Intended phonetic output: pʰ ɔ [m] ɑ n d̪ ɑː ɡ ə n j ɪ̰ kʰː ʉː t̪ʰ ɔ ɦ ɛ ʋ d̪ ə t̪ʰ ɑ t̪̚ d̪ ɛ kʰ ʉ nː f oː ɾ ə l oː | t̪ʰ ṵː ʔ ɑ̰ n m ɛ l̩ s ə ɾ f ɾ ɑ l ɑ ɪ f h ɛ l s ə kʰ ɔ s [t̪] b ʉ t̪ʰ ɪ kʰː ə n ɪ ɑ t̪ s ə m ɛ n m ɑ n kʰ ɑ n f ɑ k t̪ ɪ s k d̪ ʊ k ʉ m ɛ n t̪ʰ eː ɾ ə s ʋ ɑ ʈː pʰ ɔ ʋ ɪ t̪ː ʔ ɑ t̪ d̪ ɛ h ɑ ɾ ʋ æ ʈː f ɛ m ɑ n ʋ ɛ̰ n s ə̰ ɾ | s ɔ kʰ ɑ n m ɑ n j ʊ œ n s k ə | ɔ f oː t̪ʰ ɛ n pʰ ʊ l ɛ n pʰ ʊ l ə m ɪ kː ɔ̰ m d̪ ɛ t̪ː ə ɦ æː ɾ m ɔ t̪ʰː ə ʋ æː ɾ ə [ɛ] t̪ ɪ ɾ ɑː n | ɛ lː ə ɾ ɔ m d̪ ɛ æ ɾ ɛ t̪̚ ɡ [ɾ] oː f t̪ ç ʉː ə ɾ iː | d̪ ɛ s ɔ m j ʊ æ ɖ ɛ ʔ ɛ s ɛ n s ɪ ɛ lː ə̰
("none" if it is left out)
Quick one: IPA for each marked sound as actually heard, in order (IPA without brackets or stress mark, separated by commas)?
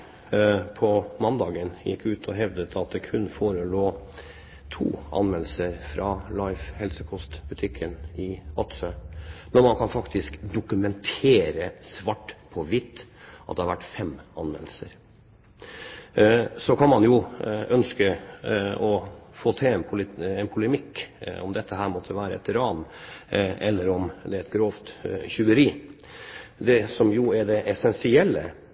m, t̪, ɛ, ɾ